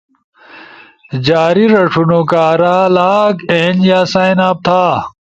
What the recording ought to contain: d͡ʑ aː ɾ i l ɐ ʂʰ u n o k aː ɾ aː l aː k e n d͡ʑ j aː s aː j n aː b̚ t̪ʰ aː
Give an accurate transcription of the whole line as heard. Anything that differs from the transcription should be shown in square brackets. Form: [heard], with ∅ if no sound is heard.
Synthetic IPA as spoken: d͡ʑ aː ɾ i [ɾ] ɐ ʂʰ u n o k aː ɾ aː l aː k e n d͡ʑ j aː s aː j n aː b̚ t̪ʰ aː